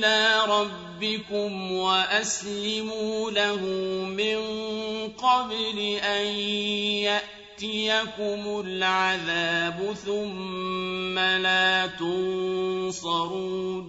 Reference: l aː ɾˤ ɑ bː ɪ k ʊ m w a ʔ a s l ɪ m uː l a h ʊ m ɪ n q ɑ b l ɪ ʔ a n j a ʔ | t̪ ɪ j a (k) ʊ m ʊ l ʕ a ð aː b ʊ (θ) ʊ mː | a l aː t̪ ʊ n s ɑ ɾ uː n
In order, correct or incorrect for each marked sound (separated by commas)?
correct, correct